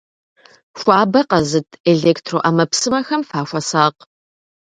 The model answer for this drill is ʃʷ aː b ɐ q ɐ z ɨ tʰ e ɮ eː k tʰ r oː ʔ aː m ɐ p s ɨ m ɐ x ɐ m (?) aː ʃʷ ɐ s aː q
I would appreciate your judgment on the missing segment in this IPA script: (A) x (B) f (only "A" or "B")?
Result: B